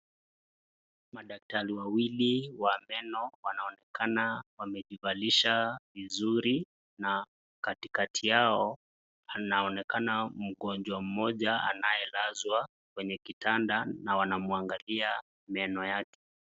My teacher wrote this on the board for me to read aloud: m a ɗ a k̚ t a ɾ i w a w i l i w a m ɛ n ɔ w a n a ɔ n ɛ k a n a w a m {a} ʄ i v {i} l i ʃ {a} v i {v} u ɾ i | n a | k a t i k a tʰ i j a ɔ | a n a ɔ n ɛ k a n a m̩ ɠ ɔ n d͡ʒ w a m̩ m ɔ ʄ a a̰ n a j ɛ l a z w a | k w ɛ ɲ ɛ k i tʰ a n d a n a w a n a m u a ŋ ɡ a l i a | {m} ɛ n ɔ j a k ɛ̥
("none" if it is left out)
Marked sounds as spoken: ɛ, a, a, z, m

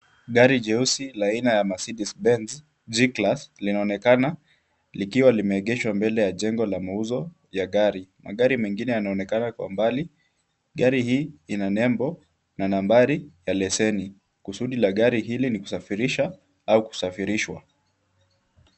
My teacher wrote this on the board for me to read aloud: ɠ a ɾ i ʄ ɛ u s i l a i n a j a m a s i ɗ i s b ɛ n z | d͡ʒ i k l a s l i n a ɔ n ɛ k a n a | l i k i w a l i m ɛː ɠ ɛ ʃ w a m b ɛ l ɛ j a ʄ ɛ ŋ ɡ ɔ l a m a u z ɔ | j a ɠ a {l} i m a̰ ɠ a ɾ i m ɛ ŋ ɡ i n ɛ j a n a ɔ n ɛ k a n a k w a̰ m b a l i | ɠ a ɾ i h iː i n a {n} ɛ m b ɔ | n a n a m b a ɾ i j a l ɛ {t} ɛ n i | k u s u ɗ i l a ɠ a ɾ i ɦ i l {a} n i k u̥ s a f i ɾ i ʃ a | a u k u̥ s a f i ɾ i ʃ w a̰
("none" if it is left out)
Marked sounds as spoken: ɾ, n, s, i

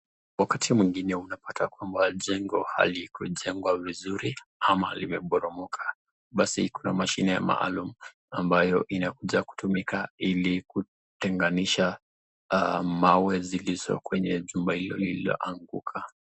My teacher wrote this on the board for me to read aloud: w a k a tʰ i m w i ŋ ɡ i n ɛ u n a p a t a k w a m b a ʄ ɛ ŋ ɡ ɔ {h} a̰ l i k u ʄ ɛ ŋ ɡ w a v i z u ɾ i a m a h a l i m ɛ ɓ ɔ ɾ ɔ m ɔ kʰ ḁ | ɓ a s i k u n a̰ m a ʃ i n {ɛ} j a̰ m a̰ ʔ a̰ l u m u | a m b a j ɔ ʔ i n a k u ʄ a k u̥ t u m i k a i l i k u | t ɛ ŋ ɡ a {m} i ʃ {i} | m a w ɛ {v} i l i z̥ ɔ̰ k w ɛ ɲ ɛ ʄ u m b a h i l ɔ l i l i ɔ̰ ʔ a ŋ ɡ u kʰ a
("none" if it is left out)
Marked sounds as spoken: h, ɛ, n, a, z

